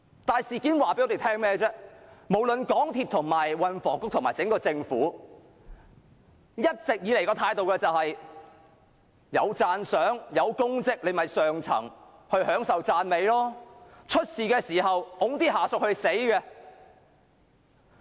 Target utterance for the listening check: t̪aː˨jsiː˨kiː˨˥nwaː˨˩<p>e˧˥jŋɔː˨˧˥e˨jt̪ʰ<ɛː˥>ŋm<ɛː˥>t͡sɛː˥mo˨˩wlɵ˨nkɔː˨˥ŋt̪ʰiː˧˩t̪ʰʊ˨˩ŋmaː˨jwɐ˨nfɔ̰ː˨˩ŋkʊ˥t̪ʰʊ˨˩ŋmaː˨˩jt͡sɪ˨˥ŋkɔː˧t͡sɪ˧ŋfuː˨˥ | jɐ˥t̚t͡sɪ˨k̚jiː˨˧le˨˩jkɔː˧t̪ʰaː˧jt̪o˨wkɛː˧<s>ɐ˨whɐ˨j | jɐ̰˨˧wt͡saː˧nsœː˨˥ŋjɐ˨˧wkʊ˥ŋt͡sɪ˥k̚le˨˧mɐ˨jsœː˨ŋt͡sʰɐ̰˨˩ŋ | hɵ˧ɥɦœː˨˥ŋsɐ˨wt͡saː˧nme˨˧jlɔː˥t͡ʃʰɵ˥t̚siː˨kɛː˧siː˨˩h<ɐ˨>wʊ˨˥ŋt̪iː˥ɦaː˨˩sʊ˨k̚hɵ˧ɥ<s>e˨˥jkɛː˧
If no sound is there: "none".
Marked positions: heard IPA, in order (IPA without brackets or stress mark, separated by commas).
p, ɛː˥, ɛː˥, t͡s, ɐ˨, s